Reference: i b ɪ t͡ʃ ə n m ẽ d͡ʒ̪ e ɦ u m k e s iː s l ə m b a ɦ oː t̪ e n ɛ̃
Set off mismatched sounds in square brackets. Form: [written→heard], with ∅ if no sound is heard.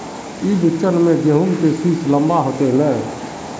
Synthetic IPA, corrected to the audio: i b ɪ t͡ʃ ə n m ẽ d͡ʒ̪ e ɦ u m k e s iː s l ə m b a ɦ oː t̪ e n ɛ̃